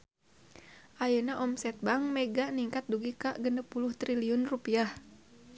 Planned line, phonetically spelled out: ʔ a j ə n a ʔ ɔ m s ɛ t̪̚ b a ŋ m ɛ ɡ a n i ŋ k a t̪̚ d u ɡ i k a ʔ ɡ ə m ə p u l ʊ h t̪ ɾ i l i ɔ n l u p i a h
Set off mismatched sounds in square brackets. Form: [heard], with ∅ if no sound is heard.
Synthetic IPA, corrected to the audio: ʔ a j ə n a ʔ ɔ m s ɛ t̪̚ b a ŋ m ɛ ɡ a n i ŋ k a t̪̚ d u ɡ i k a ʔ ɡ ə [n] ə p u l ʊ h t̪ ɾ i l i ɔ n [r] u p i a h